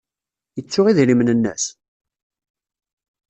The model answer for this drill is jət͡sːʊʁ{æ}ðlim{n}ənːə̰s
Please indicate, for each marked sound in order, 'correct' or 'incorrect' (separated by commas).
incorrect, correct